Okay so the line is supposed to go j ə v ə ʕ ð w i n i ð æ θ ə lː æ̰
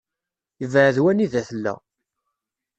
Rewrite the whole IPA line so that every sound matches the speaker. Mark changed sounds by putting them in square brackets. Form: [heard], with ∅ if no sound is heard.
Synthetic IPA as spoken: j ə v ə ʕ ð w [æ] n i ð æ θ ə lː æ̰